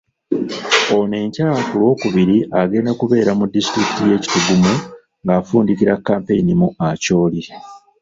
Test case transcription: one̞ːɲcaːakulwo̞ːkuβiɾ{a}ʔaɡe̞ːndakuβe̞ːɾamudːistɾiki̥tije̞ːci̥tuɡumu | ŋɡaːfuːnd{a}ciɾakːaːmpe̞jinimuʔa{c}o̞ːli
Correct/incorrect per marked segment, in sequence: incorrect: i, incorrect: i, correct

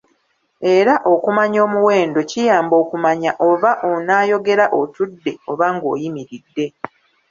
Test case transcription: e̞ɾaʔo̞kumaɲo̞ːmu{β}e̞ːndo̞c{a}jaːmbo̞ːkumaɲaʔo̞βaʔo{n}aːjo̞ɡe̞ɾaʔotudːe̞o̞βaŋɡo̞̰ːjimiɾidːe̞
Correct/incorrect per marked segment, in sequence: incorrect: w, incorrect: i, correct

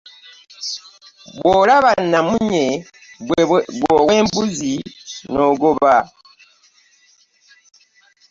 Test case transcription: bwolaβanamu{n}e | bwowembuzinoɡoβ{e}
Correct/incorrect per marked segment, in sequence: incorrect: ɲ, incorrect: a

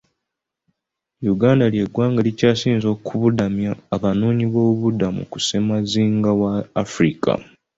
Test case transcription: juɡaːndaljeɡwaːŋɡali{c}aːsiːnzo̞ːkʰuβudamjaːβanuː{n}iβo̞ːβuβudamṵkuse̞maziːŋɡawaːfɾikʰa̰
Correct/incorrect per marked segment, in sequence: correct, incorrect: ɲ

